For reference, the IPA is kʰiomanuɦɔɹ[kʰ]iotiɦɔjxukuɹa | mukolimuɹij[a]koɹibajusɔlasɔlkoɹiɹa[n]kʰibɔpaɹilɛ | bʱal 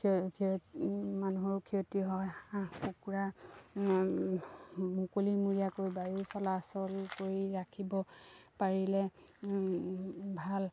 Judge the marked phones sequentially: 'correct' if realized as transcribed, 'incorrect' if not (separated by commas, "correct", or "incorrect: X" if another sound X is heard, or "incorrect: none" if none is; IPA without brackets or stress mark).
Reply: correct, correct, incorrect: none